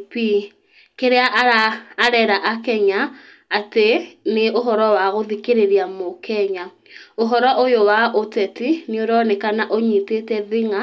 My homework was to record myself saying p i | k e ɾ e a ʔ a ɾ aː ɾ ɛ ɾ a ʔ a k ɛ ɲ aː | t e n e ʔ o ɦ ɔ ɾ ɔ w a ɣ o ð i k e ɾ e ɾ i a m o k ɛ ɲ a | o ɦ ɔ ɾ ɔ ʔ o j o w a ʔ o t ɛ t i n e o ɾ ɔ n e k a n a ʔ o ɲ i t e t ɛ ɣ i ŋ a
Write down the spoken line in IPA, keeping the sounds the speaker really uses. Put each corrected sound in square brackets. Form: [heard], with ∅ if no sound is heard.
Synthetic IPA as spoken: p i | k e ɾ e a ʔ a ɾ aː ɾ ɛ ɾ a ʔ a k ɛ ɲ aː | t e n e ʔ o ɦ ɔ ɾ ɔ w a ɣ o ð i k e ɾ e ɾ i a m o k ɛ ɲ a | o ɦ ɔ ɾ ɔ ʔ o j o w a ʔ o t ɛ t i n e o ɾ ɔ n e k a n a ʔ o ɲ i t e t ɛ [ð] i ŋ a